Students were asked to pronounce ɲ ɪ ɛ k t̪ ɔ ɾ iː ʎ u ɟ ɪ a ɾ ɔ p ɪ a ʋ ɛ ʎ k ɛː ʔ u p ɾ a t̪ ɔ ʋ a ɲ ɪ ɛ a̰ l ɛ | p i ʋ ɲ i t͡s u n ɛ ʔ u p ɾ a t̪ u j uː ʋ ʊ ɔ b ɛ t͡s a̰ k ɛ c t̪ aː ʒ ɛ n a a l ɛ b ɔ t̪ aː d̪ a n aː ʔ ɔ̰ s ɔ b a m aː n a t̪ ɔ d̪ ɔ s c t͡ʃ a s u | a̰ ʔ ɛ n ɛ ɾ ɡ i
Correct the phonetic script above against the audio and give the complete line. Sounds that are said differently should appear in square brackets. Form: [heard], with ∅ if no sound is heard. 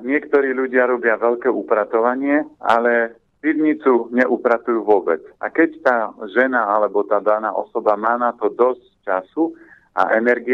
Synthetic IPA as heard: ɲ ɪ ɛ k t̪ ɔ ɾ iː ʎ u ɟ ɪ a ɾ ɔ [b] ɪ a ʋ ɛ ʎ k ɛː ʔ u p ɾ a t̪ ɔ ʋ a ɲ ɪ ɛ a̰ l ɛ | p i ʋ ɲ i t͡s u [ɲ] ɛ ʔ u p ɾ a t̪ u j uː ʋ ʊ ɔ b ɛ t͡s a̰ k ɛ c t̪ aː ʒ ɛ n a a l ɛ b ɔ t̪ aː d̪ a n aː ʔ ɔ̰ s ɔ b a m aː n a t̪ ɔ d̪ ɔ s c t͡ʃ a s u | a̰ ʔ ɛ n ɛ ɾ ɡ i